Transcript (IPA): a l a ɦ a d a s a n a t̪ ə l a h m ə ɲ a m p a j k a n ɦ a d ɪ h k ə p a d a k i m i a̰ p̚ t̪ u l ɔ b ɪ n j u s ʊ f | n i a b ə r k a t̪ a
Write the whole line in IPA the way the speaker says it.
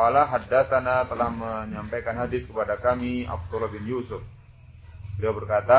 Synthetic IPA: a l a ɦ a d a s a n a t̪ ə l a h m ə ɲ a m p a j k a n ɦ a d ɪ s k ə p a d a k a m i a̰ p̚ t̪ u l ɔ b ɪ n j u s ʊ f | d i a b ə r k a t̪ a